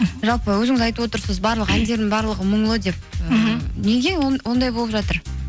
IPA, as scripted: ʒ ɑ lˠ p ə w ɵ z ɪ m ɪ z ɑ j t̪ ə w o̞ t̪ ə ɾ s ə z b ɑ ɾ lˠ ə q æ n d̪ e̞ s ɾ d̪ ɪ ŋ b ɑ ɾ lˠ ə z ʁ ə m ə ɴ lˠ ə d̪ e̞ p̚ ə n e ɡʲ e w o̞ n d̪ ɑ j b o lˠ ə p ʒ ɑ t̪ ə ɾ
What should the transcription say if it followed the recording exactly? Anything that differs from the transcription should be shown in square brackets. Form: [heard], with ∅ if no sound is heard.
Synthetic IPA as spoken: ʒ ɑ lˠ p ə w ɵ z ɪ [ŋ] ɪ z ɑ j t̪ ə w o̞ t̪ ə ɾ s ə z b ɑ ɾ lˠ ə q æ n d̪ e̞ [∅] ɾ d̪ ɪ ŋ b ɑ ɾ lˠ ə [∅] ʁ ə m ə ɴ lˠ ə d̪ e̞ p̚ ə n e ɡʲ e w o̞ n d̪ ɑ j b o lˠ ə p ʒ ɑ t̪ ə ɾ

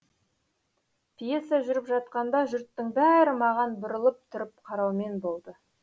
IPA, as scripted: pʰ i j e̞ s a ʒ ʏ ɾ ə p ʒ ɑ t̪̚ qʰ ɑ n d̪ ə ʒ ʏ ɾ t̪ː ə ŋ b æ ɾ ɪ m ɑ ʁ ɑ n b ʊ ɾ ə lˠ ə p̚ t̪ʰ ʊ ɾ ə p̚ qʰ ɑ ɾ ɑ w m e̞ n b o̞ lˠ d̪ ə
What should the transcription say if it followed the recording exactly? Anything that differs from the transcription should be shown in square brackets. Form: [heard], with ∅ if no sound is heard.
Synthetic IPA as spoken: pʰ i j e̞ s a ʒ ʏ ɾ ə p ʒ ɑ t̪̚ [q] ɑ n d̪ [ɑ] ʒ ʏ ɾ t̪ː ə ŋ b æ ɾ ɪ m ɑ ʁ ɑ n b ʊ ɾ ə lˠ ə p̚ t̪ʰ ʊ ɾ ə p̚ qʰ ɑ ɾ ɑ w m e̞ n b o̞ lˠ d̪ ə

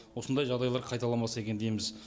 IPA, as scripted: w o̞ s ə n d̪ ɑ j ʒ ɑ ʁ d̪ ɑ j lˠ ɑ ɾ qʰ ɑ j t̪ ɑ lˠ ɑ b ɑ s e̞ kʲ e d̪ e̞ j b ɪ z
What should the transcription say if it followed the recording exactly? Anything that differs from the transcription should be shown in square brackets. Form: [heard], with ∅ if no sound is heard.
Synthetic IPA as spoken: w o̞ s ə n d̪ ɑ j ʒ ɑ ʁ d̪ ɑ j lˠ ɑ ɾ qʰ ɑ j t̪ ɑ lˠ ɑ [m] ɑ s e̞ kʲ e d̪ e̞ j [m] ɪ z

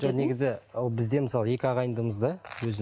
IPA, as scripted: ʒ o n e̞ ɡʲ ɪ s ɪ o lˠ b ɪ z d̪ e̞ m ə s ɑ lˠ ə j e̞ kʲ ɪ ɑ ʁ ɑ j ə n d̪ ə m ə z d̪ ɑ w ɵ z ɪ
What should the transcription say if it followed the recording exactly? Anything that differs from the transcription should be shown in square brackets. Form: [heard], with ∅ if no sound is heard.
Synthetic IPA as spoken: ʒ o n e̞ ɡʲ ɪ [z] ɪ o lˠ b ɪ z d̪ e̞ m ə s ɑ lˠ ə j e̞ kʲ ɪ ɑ ʁ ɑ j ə n d̪ ə m ə z d̪ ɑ w ɵ z ɪ

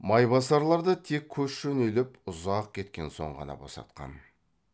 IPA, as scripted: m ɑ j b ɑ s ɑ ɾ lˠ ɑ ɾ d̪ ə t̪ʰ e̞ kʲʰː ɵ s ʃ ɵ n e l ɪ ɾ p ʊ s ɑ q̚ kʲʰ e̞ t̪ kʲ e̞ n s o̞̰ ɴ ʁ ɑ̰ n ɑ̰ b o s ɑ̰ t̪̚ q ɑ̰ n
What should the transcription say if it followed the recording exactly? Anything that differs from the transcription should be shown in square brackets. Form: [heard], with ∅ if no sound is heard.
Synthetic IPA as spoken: m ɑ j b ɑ s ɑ ɾ lˠ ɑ ɾ d̪ ə t̪ʰ e̞ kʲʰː ɵ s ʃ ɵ n e l ɪ [∅] p ʊ [z] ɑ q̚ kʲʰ e̞ t̪ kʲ e̞ n s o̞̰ ɴ ʁ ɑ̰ n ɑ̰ b o s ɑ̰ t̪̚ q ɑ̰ n

